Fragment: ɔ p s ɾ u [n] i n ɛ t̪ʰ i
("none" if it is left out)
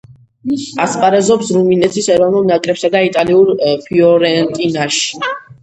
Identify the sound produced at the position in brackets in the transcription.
m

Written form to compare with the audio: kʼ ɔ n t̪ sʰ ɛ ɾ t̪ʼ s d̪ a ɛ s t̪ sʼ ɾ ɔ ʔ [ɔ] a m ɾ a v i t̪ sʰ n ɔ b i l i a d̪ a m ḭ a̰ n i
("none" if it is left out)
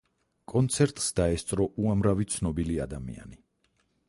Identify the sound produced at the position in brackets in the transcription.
u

